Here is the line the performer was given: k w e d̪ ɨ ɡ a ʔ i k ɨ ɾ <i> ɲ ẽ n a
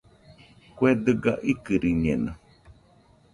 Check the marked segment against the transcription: correct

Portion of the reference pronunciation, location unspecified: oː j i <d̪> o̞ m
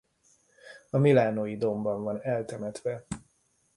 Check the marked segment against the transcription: correct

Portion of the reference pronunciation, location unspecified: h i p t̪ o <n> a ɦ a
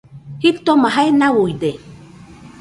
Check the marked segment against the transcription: incorrect: m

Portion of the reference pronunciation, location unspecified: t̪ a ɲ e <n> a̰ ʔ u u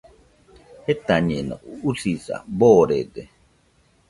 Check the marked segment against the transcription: correct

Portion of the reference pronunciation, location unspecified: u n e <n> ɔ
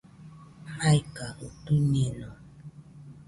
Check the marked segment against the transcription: correct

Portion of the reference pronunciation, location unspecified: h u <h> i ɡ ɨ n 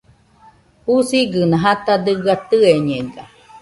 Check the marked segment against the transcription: incorrect: s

